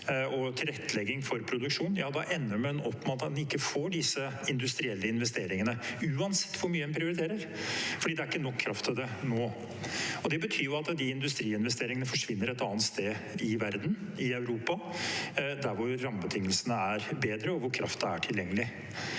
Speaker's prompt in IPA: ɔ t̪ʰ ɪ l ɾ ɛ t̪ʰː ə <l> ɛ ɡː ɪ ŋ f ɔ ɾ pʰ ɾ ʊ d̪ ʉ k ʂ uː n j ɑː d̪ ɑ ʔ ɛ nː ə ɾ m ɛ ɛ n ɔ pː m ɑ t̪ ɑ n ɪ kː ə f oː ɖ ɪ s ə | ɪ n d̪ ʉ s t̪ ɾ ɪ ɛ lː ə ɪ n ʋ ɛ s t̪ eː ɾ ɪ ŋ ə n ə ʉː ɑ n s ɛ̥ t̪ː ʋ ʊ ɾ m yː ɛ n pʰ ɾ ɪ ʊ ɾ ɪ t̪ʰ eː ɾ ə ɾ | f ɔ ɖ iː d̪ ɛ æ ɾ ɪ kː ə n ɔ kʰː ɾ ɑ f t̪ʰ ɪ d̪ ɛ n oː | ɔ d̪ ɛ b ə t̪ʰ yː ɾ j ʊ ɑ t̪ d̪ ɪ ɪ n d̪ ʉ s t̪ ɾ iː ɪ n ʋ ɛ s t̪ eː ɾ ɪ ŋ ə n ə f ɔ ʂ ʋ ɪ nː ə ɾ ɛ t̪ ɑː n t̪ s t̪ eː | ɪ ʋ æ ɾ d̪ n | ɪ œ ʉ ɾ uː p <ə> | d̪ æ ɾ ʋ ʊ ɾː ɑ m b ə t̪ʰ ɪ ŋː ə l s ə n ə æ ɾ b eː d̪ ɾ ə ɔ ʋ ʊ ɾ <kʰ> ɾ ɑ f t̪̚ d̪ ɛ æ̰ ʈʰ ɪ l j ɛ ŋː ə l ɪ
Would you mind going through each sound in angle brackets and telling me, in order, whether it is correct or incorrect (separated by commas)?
correct, incorrect, correct